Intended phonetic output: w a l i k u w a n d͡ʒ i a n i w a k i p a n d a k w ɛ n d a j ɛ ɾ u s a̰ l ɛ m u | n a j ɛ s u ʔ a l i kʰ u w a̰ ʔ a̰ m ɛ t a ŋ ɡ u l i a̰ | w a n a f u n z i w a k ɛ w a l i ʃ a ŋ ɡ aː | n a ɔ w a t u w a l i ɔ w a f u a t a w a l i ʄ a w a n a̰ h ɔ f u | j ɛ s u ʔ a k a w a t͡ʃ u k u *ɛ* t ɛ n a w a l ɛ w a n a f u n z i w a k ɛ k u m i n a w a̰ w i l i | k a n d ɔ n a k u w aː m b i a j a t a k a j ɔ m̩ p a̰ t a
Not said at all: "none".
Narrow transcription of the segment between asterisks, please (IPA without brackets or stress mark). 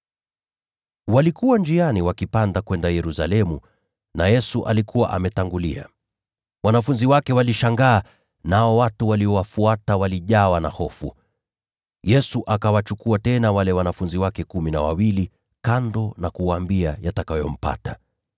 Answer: a